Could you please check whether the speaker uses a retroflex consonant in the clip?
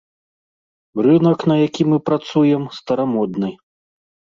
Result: no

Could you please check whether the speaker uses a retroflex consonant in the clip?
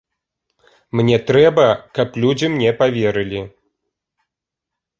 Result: no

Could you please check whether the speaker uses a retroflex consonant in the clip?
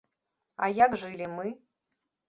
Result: yes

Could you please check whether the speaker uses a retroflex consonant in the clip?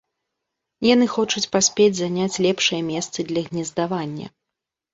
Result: yes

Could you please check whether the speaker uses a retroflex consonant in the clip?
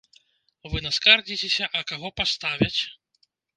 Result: no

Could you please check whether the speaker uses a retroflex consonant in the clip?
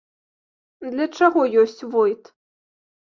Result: yes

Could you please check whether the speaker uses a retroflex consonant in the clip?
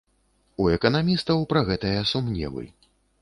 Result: no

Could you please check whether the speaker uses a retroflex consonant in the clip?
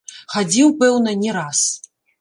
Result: no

